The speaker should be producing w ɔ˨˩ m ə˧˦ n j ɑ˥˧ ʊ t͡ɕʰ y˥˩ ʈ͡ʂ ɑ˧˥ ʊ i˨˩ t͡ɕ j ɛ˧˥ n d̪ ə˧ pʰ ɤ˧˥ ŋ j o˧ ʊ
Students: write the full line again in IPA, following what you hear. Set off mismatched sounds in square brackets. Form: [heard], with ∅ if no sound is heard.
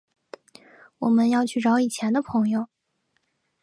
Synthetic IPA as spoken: w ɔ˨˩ m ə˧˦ n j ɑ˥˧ ʊ t͡ɕʰ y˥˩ ʈ͡ʂ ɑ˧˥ ʊ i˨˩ [t͡ɕʰ] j ɛ˧˥ n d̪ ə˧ pʰ ɤ˧˥ ŋ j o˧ ʊ